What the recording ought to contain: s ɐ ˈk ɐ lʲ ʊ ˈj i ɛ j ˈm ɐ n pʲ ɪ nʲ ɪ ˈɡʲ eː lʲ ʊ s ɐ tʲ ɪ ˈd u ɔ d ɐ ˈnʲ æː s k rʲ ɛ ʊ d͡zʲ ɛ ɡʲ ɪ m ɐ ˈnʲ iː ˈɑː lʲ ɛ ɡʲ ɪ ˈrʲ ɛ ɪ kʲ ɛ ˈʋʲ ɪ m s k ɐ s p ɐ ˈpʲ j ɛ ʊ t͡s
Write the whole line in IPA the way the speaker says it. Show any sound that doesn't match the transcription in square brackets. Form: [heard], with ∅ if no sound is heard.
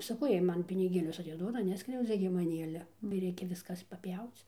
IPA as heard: s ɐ ˈk ɐ [∅] ʊ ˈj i ɛ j ˈm ɐ n pʲ ɪ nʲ ɪ ˈɡʲ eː lʲ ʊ s ɐ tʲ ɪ ˈd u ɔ d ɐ ˈnʲ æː s k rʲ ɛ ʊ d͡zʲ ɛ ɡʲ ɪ m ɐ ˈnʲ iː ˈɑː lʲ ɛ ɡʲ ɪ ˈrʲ ɛ ɪ kʲ ɛ ˈʋʲ ɪ [∅] s k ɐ s p ɐ ˈpʲ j ɛ ʊ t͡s